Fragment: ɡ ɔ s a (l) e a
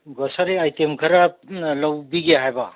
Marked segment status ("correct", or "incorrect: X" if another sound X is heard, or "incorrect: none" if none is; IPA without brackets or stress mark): incorrect: ɾ